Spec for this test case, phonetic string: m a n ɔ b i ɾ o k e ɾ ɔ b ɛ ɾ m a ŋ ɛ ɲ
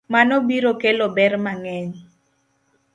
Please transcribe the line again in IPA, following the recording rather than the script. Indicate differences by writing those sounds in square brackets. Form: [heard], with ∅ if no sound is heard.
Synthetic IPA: m a n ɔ b i ɾ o k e [l] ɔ b ɛ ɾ m a ŋ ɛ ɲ